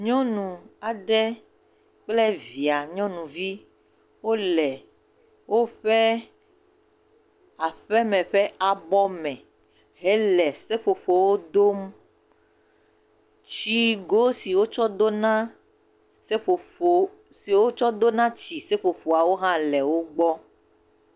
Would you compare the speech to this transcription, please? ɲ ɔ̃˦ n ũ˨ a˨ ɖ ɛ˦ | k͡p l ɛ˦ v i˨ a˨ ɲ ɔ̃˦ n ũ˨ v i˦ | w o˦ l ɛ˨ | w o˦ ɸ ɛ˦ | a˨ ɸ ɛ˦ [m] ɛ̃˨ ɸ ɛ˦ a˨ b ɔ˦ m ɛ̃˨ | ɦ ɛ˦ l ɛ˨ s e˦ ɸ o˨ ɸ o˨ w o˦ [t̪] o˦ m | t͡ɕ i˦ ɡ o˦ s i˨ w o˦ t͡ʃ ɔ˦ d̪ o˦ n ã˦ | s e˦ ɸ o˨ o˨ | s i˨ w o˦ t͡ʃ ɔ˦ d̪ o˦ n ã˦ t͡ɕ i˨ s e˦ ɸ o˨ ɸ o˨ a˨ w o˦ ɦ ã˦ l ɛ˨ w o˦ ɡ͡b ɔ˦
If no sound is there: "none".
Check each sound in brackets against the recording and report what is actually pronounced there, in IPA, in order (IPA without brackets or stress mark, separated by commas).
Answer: m, d̪